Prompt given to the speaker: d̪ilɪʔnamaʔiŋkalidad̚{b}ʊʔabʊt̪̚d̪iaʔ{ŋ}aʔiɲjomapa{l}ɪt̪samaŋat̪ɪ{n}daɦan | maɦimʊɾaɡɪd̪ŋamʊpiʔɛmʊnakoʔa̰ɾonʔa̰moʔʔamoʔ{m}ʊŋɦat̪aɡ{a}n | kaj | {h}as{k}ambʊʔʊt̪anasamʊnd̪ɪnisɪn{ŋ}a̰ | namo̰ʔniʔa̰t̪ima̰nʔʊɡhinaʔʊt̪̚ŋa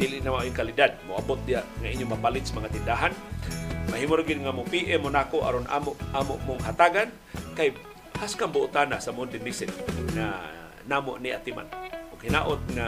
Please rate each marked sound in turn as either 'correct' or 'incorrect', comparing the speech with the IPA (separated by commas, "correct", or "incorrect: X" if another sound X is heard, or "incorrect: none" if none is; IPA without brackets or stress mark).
incorrect: m, correct, correct, correct, correct, correct, correct, correct, correct